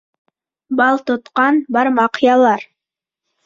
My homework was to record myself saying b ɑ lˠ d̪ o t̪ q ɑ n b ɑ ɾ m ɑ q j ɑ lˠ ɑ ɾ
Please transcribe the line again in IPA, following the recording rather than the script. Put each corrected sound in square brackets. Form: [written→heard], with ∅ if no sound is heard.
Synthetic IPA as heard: b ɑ lˠ [d̪→t̪] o t̪ q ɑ n b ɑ ɾ m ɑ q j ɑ lˠ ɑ ɾ